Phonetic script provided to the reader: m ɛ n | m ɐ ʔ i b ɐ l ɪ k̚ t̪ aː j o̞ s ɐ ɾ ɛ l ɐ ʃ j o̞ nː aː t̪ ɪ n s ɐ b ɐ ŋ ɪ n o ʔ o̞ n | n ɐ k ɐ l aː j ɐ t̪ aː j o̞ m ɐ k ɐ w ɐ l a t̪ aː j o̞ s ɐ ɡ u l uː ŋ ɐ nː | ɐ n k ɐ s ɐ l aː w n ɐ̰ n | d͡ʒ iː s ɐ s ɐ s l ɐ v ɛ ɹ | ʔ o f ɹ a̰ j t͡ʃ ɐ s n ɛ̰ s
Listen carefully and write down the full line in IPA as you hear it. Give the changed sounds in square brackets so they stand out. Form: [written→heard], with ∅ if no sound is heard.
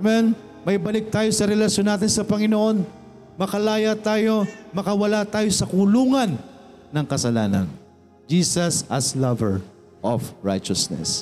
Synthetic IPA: m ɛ n | m ɐ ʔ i b ɐ l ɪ k̚ t̪ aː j o̞ s ɐ ɾ ɛ l ɐ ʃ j o̞ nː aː t̪ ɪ n s ɐ [b→p] ɐ ŋ ɪ n o ʔ o̞ n | [n→m] ɐ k ɐ l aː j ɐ t̪ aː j o̞ m ɐ k ɐ w ɐ l a t̪ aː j o̞ s ɐ [ɡ→k] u l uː ŋ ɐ nː | ɐ [n→ŋ] k ɐ s ɐ l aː [w→∅] n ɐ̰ n | d͡ʒ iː s ɐ s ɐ s l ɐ v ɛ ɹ | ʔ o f ɹ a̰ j t͡ʃ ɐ s n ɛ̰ s